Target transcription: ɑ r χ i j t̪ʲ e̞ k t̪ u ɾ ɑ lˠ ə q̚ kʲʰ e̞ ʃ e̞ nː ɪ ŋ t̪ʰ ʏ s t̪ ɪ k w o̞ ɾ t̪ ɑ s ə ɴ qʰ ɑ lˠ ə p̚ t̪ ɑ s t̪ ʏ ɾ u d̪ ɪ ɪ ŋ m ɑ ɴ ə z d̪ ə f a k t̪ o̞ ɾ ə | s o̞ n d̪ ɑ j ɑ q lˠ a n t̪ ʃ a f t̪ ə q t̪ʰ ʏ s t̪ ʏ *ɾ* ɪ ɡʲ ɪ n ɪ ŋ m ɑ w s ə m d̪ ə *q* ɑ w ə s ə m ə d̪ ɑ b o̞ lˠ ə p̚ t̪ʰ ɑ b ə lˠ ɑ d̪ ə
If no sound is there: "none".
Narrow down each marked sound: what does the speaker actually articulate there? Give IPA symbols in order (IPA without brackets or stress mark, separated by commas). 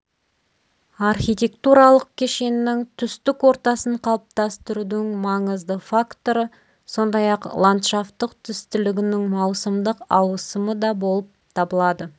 l, q